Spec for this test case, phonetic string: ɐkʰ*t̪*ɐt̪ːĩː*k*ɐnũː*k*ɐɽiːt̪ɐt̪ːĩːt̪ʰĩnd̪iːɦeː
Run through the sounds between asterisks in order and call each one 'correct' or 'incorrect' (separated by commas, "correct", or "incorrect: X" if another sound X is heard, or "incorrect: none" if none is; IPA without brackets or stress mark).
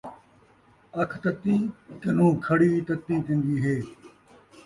correct, correct, incorrect: kʰ